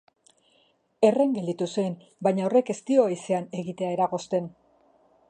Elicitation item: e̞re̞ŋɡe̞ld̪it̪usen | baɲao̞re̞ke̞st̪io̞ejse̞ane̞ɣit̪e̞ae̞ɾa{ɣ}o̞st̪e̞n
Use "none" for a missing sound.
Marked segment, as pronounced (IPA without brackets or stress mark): ɣ